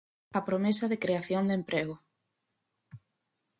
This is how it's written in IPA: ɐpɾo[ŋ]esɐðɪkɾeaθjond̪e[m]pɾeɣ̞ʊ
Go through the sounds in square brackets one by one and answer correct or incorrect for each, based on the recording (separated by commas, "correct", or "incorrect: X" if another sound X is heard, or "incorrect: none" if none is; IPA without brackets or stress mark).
incorrect: m, correct